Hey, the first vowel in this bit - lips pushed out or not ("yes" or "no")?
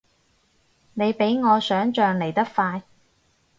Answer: no